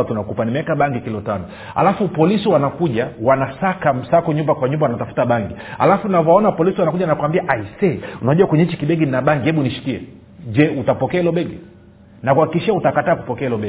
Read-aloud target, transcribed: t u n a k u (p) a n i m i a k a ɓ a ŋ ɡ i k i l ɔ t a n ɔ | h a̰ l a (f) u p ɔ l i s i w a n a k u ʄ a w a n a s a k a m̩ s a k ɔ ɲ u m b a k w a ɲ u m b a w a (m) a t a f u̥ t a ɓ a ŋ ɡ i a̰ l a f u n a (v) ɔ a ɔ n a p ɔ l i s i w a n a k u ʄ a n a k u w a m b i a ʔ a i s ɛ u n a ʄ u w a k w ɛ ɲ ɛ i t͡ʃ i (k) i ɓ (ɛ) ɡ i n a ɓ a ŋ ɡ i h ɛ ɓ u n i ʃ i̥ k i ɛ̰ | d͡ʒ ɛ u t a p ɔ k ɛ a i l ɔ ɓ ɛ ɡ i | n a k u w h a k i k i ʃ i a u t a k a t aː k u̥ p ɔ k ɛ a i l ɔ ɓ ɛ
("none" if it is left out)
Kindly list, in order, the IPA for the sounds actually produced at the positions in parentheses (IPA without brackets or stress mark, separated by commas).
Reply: p, f, n, v, k, ɛ